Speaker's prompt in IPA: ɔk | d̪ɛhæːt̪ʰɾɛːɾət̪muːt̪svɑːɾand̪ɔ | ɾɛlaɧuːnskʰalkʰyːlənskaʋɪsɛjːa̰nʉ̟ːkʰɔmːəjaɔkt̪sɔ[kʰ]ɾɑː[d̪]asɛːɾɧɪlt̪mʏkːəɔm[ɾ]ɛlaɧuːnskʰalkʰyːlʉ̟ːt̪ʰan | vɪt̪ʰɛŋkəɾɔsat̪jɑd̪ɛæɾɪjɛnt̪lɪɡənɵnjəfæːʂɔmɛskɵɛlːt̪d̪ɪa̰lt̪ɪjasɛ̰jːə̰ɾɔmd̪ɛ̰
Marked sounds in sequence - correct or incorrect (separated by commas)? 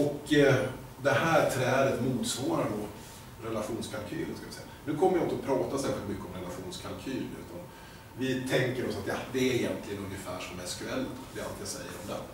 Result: incorrect, incorrect, correct